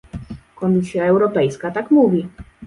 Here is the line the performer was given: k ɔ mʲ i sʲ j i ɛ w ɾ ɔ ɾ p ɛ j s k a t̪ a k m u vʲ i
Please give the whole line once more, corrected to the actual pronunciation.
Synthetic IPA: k ɔ mʲ i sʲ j a ɛ w ɾ ɔ p ɛ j s k a t̪ a k m u vʲ i